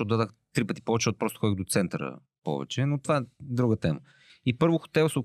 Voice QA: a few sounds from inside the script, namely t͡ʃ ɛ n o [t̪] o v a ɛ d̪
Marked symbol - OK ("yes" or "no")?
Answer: yes